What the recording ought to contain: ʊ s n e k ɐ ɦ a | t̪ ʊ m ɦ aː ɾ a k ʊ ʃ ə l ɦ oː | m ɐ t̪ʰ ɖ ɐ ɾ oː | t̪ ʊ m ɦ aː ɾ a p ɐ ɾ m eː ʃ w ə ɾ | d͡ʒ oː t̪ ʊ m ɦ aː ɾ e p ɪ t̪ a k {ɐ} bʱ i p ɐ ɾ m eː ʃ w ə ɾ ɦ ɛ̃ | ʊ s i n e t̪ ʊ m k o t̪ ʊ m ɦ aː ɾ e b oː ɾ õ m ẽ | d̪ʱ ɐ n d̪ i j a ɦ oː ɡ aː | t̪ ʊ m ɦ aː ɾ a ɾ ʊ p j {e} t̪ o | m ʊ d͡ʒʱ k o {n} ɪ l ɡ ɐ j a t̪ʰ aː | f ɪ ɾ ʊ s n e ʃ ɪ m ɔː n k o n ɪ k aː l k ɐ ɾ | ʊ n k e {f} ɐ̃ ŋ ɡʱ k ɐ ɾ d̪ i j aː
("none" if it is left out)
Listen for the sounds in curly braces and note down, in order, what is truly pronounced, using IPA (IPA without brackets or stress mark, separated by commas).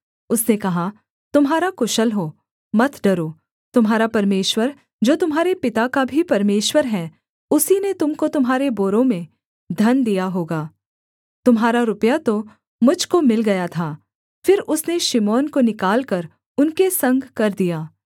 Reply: a, a, m, s